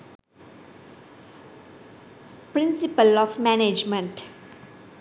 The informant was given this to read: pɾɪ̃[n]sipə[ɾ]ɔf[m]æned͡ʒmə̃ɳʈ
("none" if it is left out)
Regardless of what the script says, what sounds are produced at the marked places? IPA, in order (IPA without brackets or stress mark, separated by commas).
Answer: n, l, m